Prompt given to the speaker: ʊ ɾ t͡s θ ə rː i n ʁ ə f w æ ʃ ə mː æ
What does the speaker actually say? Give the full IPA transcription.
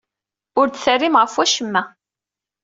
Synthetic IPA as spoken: ʊ ɾ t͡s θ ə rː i m ʁ ə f w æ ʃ ə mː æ

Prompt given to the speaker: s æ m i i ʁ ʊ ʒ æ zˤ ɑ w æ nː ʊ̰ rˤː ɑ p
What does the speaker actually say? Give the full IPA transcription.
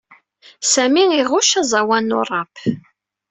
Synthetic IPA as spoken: s æ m i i ʁ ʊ ʃ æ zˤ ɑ w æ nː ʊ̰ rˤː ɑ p

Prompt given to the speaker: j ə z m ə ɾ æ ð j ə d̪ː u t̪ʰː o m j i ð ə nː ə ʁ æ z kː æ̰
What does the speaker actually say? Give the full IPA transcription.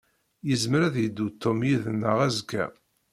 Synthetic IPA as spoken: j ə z m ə ɾ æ ð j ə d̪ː u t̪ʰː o m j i ð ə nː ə ʁ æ z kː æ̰

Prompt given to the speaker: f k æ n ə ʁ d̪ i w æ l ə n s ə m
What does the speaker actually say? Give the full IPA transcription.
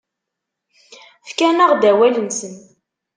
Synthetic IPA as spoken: f k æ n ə ʁ d̪ æ w æ l ə n s ə n

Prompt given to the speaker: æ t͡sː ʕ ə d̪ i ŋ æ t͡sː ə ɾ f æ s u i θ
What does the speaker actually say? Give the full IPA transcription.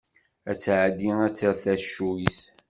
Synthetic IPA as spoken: æ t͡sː ʕ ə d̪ i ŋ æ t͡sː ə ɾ θ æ ʃ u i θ

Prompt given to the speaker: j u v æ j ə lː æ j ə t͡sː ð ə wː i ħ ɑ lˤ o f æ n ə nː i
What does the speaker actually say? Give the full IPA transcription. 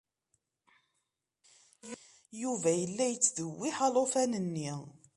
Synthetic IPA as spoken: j u v æ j ə lː æ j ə t͡sː ð ə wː i ħ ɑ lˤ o f æ n ə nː i

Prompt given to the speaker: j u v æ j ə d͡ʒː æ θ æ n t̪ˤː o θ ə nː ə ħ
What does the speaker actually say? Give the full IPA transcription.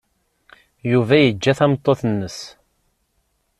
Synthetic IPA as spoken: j u v æ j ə d͡ʒː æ θ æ m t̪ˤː o θ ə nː ə s

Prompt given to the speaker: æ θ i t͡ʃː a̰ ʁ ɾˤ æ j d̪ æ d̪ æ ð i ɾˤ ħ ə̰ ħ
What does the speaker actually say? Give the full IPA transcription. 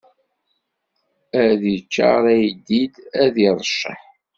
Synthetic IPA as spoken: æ ð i t͡ʃː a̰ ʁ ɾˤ æ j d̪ i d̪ æ ð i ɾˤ ʃ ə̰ ħ

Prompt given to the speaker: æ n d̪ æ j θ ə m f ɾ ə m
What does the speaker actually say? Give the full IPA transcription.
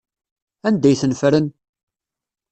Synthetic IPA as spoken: æ n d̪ æ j θ ə n f ɾ ə n

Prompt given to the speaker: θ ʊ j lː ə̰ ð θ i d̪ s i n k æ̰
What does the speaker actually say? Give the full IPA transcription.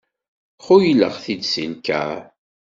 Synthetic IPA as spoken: χ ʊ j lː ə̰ ʁ θ i d̪ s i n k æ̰

